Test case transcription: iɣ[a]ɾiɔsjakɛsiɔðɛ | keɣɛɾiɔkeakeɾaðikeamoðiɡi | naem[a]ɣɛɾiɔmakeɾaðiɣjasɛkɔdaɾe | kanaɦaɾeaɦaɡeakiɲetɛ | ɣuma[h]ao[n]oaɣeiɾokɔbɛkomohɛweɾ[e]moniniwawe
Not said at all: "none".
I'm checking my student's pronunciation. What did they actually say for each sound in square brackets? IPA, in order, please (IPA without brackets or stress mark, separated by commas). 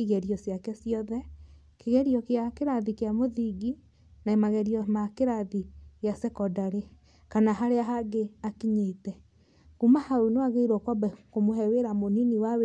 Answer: ɛ, a, h, n, a